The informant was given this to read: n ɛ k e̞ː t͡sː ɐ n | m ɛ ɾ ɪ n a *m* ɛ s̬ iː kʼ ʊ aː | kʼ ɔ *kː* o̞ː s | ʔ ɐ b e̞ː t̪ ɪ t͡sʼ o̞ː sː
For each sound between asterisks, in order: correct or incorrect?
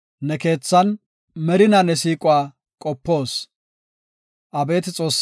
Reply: incorrect, incorrect

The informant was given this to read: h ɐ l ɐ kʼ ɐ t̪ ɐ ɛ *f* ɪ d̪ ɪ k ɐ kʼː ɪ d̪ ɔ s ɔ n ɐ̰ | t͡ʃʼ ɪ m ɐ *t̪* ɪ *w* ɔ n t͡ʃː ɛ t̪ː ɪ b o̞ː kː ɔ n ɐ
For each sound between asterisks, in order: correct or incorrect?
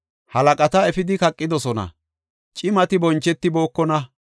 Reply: correct, correct, incorrect

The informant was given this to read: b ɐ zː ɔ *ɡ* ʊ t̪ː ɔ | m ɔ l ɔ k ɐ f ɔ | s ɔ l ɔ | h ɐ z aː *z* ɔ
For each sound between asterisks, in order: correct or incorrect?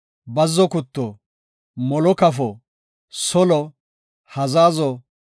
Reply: incorrect, correct

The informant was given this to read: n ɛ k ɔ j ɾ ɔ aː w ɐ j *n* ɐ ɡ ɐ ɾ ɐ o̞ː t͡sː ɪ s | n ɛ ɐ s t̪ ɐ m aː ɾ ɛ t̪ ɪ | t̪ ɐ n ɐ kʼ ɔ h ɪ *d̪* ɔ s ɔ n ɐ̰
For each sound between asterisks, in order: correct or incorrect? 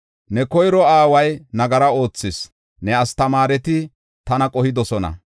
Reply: correct, correct

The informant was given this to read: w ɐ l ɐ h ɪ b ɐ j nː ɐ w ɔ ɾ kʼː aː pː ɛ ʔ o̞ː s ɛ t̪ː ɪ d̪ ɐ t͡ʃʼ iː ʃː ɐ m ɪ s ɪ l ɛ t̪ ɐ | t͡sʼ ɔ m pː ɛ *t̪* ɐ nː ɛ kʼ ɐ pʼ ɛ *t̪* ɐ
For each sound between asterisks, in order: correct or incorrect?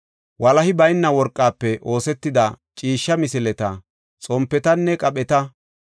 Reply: correct, correct

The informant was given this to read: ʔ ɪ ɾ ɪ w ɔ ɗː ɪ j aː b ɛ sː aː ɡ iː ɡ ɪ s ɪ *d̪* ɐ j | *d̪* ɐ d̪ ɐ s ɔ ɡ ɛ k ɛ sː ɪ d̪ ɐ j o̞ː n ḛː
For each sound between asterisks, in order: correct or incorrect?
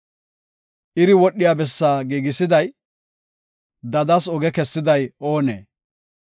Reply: correct, correct

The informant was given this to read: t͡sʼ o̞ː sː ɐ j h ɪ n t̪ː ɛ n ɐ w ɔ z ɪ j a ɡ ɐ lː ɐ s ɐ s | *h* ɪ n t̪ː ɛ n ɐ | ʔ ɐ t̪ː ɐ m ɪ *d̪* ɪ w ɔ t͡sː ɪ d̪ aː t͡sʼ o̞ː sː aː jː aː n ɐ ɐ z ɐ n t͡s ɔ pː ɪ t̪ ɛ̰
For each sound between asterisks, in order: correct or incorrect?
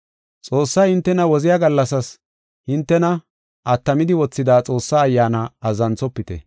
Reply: correct, correct

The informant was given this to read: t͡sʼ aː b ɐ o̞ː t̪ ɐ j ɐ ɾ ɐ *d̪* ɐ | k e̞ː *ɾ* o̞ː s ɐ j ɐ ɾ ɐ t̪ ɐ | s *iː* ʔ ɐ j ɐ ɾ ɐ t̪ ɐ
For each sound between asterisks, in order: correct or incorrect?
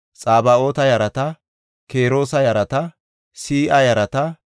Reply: incorrect, correct, correct

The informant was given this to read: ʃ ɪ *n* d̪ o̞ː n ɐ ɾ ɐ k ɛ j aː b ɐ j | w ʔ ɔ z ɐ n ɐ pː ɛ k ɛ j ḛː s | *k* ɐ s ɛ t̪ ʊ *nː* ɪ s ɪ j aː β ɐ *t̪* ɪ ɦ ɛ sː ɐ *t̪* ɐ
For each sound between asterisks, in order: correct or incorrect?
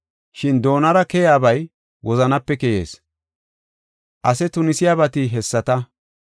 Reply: correct, incorrect, incorrect, correct, correct

